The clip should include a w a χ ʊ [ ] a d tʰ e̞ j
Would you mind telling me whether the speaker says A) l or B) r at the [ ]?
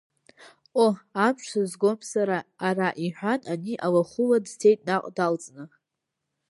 A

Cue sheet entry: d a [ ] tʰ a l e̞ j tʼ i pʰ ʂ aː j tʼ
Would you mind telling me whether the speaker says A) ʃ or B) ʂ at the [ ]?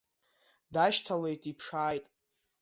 A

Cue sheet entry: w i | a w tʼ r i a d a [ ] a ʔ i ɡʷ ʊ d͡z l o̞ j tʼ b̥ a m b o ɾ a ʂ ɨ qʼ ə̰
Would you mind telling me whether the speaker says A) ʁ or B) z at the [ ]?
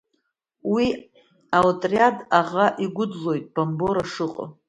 A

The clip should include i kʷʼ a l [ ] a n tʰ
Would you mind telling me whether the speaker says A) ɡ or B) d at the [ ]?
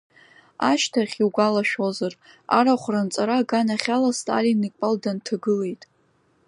B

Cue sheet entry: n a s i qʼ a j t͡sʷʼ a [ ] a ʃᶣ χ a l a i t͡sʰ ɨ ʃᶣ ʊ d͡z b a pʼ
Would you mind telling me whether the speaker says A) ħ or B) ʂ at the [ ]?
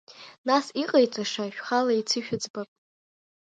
B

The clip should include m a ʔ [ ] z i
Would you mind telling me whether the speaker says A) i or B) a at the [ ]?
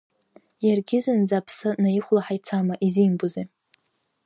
A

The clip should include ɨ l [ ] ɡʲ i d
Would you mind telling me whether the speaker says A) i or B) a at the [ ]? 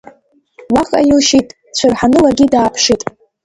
B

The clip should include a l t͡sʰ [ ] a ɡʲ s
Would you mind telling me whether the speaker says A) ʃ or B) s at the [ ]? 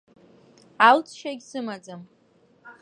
A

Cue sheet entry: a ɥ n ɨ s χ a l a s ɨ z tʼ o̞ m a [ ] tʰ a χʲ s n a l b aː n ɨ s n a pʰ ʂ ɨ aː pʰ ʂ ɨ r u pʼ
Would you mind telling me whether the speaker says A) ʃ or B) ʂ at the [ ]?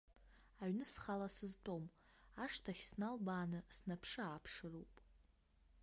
B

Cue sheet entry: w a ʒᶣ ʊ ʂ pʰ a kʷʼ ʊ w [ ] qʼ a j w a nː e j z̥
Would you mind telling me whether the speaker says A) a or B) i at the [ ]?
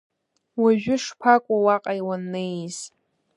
A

